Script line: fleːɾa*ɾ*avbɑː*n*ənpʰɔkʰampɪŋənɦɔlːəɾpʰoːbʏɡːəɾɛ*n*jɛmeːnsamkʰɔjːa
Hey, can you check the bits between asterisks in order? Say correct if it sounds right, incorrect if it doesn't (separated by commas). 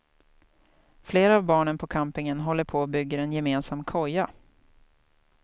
incorrect, incorrect, correct